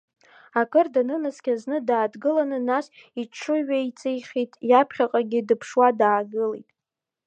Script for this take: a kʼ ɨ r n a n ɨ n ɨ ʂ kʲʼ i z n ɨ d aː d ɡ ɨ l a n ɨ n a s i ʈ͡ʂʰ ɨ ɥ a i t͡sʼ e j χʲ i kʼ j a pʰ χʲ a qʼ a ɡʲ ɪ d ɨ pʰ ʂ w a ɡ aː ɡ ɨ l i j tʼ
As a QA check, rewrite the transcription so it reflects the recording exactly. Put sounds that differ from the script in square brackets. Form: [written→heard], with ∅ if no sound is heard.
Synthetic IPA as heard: a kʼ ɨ r [n→d] a n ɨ n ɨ [ʂ→s] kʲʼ [i→a] z n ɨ d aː d ɡ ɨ l a n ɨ n a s i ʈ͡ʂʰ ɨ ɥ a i t͡sʼ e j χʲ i [kʼ→tʼ] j a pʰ χʲ a qʼ a ɡʲ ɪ d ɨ pʰ ʂ w a [ɡ→d] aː ɡ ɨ l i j tʼ